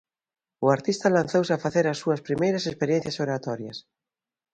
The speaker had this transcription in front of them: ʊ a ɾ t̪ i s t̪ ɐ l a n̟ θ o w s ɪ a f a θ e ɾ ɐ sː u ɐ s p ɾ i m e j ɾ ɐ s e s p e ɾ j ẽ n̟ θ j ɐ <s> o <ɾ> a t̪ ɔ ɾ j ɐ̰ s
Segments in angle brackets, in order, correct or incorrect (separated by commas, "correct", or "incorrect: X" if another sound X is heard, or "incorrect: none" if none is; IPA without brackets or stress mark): correct, correct